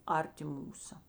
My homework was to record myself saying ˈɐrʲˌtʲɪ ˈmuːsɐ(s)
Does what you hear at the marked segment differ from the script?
yes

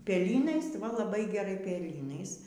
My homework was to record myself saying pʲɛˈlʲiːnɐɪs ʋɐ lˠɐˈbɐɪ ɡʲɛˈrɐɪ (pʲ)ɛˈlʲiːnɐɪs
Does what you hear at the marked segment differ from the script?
no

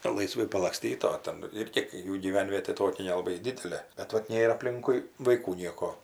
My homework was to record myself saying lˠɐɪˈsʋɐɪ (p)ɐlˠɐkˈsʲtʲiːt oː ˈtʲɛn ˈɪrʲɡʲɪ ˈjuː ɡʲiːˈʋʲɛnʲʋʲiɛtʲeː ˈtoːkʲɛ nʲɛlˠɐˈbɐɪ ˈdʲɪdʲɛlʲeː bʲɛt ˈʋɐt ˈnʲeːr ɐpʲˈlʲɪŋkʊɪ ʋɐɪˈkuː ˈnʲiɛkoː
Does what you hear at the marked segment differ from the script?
no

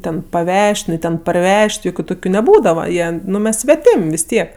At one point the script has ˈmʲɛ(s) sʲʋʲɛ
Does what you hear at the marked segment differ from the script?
no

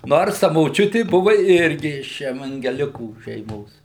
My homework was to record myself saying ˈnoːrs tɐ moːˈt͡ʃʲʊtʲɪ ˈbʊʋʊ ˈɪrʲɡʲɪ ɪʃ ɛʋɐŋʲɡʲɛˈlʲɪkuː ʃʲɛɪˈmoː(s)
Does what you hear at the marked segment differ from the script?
no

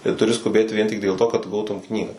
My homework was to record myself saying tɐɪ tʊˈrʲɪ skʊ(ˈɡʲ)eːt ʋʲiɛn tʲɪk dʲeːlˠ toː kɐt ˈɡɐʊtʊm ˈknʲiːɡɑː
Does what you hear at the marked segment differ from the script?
yes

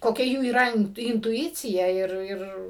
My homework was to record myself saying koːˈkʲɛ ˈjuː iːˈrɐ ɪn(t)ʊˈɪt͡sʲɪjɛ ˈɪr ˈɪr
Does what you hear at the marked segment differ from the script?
no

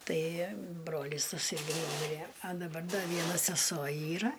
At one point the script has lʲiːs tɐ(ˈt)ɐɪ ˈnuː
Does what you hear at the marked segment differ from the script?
yes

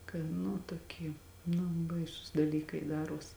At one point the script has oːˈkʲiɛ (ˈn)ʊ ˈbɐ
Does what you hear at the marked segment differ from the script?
no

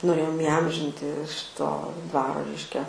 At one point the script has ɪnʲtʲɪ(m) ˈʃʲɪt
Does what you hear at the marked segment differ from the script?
yes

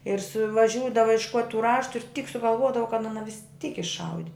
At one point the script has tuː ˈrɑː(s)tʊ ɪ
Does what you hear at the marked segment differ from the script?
yes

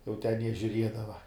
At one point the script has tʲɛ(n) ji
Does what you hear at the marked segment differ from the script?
no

